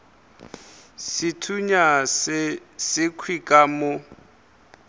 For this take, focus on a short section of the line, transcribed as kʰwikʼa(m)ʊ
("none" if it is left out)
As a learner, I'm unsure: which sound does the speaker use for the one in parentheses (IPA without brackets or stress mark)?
m